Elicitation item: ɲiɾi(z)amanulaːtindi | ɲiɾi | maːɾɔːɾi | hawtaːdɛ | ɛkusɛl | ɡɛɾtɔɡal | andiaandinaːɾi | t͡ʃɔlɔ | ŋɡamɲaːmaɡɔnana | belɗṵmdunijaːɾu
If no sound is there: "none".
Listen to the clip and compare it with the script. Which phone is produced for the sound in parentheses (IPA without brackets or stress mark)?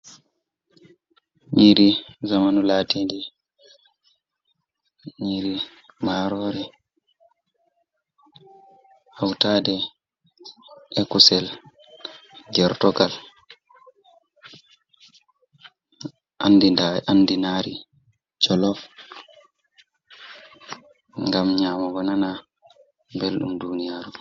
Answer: z